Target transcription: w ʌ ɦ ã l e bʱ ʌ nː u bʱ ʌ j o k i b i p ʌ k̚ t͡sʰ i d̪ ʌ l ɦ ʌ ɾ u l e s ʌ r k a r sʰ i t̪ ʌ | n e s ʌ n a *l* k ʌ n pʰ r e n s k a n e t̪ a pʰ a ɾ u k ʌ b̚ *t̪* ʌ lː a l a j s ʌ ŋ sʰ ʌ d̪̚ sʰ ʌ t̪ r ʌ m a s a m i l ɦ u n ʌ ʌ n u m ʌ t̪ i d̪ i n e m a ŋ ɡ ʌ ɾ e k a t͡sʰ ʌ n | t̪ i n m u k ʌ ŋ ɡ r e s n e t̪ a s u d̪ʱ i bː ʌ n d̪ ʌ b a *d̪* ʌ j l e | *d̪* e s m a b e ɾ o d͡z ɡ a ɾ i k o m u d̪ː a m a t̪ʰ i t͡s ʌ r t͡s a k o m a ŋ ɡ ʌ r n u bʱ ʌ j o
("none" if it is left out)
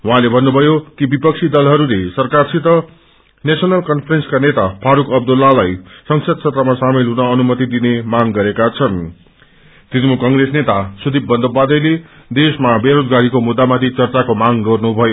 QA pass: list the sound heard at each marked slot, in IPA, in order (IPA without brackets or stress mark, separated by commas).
l, d̪, d̪, d̪